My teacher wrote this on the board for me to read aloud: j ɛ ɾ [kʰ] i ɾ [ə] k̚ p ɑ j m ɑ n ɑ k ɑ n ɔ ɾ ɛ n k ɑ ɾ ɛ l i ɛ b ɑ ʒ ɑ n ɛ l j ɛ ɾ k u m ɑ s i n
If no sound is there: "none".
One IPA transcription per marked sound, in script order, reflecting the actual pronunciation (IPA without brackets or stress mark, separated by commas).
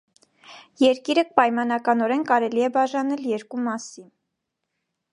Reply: k, ə